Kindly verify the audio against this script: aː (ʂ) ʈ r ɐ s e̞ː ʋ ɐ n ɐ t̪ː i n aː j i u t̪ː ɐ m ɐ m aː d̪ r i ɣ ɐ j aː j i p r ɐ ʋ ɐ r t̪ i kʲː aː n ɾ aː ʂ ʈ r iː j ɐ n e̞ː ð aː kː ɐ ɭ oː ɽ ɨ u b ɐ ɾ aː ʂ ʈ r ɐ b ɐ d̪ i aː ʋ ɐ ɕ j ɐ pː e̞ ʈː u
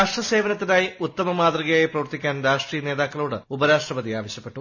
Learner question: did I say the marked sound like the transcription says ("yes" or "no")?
yes